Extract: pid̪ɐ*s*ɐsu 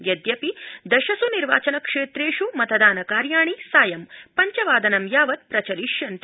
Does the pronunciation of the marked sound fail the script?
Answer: yes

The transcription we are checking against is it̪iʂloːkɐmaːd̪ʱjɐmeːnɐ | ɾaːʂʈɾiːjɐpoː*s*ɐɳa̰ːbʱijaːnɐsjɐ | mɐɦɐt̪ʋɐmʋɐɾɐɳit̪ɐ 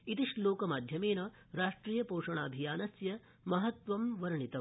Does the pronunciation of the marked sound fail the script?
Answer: yes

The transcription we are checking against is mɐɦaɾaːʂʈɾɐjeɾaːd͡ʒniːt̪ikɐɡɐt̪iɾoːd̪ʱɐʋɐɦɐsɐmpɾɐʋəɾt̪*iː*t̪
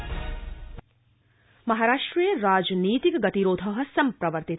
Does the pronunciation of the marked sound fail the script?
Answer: yes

